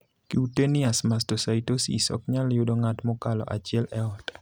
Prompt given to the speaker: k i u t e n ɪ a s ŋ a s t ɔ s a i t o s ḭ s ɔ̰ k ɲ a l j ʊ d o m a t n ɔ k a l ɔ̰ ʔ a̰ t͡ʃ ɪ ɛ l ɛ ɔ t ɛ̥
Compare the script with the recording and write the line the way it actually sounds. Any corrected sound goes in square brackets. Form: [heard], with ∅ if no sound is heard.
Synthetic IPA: k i u t e n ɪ a s [m] a s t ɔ s a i t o s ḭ s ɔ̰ k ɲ a l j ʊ d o [ŋ] a t [m] ɔ k a l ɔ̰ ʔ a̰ t͡ʃ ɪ ɛ l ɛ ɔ t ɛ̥